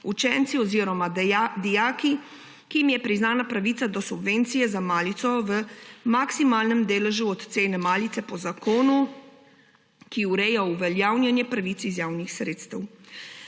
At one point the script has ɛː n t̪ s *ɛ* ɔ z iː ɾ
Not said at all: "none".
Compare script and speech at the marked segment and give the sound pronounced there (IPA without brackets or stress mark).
i